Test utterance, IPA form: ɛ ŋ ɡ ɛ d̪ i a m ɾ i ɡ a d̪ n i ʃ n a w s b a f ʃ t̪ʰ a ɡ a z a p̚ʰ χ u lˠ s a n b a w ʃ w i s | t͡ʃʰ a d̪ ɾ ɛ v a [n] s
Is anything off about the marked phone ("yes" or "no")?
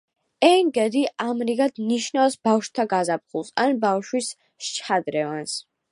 no